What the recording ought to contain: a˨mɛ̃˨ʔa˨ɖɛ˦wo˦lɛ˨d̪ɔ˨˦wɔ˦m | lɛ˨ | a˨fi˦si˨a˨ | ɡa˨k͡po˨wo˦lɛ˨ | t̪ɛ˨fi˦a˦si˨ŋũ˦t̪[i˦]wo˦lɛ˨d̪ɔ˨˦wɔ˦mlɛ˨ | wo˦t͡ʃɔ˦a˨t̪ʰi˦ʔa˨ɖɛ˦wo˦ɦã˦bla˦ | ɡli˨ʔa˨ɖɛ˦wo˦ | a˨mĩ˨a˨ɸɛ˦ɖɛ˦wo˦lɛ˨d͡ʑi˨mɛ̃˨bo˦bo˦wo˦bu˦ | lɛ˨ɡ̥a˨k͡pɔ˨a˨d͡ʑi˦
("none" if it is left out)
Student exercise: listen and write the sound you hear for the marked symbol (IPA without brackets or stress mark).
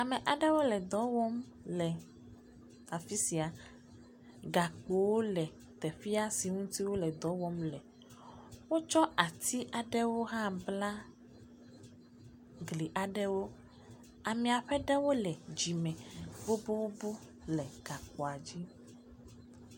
i˦